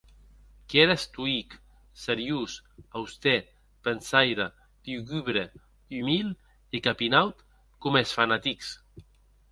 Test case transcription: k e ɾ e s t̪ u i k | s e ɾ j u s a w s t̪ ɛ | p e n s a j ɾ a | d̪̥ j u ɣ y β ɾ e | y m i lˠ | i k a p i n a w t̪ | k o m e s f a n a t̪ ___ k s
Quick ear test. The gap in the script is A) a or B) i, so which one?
B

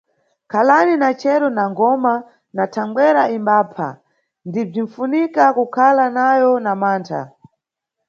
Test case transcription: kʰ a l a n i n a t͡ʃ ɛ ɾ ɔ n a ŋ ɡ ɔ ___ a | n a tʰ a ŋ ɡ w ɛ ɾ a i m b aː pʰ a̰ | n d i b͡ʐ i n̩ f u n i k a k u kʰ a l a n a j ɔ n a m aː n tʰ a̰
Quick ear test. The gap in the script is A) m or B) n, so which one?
A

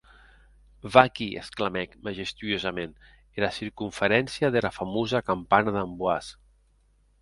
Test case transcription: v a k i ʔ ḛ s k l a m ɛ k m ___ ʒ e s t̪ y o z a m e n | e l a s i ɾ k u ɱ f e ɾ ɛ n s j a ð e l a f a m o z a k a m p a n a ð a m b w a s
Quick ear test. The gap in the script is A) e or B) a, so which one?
B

